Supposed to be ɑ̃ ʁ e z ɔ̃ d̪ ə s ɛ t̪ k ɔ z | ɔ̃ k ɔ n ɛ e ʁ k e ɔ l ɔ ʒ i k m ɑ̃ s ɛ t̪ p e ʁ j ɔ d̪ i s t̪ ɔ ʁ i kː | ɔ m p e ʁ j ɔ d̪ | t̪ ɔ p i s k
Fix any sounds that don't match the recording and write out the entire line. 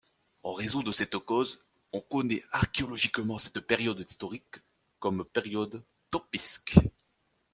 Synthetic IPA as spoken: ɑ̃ ʁ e z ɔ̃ d̪ ə s ɛ t̪ k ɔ z | ɔ̃ k ɔ n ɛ a ʁ k e ɔ l ɔ ʒ i k m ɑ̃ s ɛ t̪ p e ʁ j ɔ d̪ i s t̪ ɔ ʁ i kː | ɔ m p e ʁ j ɔ d̪ | t̪ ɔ p i s k